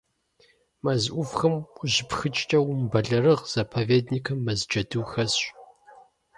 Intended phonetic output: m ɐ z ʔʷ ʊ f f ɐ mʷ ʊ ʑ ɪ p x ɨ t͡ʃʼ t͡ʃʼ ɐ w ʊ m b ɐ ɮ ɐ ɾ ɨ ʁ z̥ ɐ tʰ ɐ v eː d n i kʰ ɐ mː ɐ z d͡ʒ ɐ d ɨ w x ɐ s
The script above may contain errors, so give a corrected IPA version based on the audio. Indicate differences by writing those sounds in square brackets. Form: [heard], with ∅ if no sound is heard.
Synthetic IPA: m ɐ z ʔʷ ʊ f [x] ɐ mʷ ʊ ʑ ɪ p x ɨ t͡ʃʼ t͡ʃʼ ɐ w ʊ m b ɐ ɮ ɐ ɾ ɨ ʁ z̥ ɐ [pʰ] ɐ v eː d n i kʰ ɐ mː ɐ z d͡ʒ ɐ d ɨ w x ɐ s